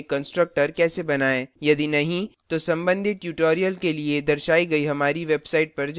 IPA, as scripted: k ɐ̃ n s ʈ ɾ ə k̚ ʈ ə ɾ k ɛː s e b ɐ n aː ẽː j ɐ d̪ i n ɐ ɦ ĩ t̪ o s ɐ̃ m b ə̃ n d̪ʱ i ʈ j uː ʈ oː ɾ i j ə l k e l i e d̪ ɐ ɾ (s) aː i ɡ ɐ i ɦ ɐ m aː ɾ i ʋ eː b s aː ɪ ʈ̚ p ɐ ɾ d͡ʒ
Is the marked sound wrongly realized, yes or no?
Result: yes